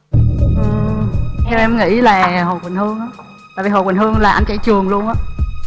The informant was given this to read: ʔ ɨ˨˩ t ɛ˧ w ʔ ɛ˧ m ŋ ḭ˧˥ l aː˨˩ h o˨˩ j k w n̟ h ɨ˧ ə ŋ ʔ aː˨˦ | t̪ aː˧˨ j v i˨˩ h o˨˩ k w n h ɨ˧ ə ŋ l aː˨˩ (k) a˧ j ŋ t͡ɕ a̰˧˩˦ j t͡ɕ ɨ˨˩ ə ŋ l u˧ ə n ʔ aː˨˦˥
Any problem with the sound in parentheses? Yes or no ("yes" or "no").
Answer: yes